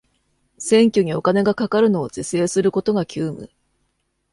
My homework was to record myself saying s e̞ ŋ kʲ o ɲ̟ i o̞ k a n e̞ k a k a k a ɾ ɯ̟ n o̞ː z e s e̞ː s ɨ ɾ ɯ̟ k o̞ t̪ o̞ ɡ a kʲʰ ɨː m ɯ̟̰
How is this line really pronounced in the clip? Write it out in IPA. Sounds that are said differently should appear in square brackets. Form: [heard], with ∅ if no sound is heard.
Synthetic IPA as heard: s [ẽ̞] ŋ kʲ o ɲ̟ i o̞ k a n e̞ [ɡ] a k a k a ɾ ɯ̟ n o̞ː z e s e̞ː s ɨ ɾ ɯ̟ k o̞ t̪ o̞ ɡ a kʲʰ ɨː m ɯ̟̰